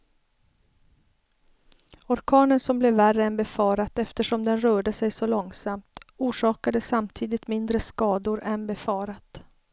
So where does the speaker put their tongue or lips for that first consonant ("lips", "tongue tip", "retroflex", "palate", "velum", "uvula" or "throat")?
tongue tip